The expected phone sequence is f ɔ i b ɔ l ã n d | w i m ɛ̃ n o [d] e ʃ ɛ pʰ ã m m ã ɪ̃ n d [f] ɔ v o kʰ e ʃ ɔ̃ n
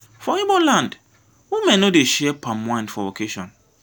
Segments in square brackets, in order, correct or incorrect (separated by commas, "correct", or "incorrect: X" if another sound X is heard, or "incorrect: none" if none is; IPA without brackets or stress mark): correct, correct